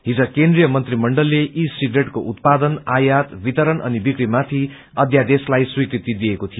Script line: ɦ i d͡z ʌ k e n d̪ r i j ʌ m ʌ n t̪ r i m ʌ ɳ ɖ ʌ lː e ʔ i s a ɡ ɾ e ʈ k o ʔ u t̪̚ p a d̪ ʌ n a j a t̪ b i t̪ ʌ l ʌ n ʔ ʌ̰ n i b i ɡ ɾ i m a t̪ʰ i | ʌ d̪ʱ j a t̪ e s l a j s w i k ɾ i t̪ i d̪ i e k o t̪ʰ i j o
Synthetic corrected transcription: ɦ i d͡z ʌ k e n d̪ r i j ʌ m ʌ n t̪ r i m ʌ ɳ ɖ ʌ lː e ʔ i s i ɡ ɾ e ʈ k o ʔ u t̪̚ p a d̪ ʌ n a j a t̪ b i t̪ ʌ ɾ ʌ n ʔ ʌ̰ n i b i k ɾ i m a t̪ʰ i | ʌ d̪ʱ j a d̪ e s l a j s w i k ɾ i t̪ i d̪ i e k o t̪ʰ i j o